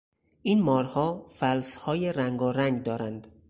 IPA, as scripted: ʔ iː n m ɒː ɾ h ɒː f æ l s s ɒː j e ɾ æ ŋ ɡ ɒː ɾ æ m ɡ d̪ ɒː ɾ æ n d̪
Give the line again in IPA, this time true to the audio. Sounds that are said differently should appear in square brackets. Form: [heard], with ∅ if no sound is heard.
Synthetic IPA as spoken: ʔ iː n m ɒː ɾ h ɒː f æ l s [h] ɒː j e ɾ æ ŋ ɡ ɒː ɾ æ [ŋ] ɡ d̪ ɒː ɾ æ n d̪